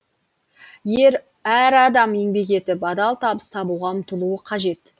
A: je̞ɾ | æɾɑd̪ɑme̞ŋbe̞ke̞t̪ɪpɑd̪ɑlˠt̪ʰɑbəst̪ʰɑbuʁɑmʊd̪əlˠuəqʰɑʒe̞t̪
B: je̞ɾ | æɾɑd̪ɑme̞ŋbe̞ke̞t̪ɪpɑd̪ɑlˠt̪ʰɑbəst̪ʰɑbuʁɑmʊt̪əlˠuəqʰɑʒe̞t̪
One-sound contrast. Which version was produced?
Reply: B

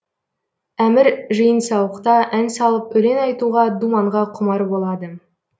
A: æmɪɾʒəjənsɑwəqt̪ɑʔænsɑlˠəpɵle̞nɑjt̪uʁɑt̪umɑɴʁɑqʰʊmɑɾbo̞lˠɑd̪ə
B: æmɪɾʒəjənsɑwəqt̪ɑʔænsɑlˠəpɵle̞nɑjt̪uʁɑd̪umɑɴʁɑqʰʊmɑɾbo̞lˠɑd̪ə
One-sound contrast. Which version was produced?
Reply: B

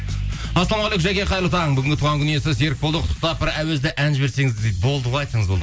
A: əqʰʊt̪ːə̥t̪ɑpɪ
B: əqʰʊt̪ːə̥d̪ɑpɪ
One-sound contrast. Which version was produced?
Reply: A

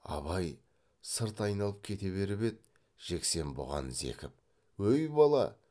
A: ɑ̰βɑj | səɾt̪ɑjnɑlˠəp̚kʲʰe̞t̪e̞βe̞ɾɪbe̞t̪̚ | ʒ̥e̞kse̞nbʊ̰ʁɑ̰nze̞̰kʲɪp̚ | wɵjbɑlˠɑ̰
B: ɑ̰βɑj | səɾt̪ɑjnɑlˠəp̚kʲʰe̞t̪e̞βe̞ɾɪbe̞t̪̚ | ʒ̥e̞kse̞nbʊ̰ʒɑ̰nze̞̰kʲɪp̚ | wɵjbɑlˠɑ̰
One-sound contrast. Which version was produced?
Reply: A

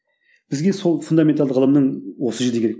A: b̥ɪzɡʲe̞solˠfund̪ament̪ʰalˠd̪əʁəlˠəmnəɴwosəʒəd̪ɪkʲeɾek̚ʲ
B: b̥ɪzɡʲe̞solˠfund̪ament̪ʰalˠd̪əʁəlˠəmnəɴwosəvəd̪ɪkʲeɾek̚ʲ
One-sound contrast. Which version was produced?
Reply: A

